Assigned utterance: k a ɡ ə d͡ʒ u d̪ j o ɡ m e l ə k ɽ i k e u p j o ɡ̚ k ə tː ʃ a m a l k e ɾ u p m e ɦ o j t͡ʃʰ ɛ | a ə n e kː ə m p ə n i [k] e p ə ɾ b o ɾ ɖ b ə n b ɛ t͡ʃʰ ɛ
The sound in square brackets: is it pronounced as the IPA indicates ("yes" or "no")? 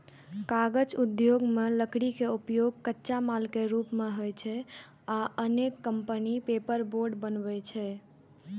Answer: no